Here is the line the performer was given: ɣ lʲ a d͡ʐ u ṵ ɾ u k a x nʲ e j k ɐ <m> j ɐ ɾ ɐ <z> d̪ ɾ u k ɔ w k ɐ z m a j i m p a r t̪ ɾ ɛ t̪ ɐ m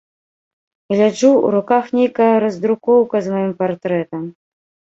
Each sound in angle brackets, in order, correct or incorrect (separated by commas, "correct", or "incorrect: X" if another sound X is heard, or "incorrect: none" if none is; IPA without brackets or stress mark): incorrect: none, correct